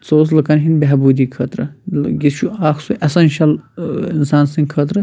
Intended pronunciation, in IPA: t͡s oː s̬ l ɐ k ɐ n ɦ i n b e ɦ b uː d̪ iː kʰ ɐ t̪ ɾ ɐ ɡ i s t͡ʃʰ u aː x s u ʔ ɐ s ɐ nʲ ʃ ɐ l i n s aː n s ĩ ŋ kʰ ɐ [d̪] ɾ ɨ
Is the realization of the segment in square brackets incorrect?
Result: yes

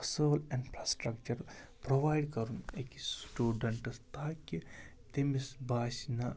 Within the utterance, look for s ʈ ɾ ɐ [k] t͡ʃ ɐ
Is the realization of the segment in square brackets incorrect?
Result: no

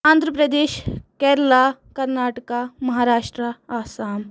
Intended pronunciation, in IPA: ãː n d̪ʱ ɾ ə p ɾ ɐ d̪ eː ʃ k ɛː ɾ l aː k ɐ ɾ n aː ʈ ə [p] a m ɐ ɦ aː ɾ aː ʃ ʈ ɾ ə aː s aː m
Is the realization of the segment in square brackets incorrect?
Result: yes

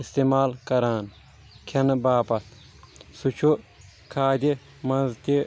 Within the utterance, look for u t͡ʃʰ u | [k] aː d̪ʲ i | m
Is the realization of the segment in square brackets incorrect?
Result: yes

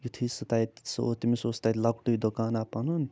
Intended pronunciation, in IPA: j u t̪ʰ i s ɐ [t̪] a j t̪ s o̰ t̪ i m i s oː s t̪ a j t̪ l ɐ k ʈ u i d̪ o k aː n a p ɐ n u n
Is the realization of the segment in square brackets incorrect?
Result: no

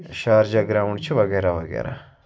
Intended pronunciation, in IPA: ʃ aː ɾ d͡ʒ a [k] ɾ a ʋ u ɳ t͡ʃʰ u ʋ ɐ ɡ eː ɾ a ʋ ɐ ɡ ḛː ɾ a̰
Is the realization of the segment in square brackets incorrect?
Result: yes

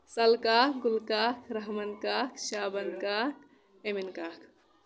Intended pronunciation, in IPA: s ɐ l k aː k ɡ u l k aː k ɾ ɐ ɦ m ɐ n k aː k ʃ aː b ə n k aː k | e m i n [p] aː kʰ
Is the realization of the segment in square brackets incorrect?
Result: yes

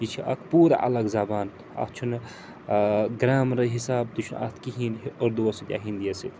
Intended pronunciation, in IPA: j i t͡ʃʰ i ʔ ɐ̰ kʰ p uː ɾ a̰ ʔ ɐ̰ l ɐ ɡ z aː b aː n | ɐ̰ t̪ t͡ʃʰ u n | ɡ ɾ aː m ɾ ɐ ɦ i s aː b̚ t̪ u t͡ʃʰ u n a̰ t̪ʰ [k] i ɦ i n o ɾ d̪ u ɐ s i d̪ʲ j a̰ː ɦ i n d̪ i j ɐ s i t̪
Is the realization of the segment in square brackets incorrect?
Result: no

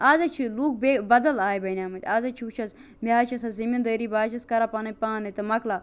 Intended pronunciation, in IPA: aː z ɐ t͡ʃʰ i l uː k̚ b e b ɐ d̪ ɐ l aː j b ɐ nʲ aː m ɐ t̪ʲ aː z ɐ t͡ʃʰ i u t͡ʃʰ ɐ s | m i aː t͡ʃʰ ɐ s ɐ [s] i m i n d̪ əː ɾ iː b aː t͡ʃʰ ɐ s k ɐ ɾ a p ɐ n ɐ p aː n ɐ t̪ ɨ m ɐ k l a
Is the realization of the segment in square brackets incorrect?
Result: yes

